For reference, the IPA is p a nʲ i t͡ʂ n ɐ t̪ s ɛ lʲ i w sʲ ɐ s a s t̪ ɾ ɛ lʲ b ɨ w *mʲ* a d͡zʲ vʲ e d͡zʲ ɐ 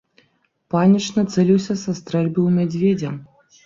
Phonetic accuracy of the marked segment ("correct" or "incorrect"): correct